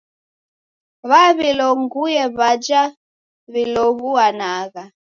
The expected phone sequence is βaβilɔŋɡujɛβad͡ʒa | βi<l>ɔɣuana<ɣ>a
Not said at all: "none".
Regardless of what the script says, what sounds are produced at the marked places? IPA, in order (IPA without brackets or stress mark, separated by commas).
l, ɣ